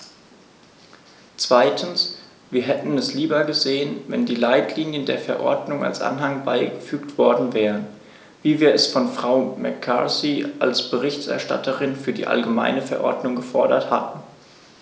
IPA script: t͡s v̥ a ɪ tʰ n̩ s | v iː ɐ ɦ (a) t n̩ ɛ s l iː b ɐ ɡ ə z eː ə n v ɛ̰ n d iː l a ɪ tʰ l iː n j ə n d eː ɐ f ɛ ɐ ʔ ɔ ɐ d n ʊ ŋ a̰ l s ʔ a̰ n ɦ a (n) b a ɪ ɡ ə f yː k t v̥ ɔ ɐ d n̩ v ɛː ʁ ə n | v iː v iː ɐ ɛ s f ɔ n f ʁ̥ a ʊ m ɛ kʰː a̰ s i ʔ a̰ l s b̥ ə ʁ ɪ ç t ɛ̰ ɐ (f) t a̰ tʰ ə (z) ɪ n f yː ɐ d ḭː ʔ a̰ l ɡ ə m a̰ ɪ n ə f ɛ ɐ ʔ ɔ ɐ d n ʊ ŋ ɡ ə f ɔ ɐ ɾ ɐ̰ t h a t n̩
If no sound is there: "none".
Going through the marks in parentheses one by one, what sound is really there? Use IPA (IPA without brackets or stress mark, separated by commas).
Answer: ɛ, ŋ, ʃ, ʁ